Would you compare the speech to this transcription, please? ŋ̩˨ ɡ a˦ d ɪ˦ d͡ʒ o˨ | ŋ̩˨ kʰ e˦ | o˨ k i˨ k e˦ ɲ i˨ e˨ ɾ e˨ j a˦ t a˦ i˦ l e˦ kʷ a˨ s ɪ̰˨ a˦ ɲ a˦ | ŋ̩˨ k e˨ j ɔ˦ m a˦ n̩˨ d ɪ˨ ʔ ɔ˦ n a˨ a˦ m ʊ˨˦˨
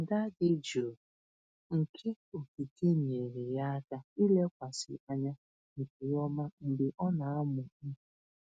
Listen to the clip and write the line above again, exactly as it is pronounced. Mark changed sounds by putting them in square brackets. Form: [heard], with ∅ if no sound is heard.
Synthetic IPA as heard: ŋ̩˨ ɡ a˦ d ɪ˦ d͡ʒ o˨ | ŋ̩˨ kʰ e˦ | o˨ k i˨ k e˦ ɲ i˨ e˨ ɾ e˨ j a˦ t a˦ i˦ l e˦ kʷ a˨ s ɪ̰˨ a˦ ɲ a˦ | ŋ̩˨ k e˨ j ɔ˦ m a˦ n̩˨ d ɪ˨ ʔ ɔ˦ n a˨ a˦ m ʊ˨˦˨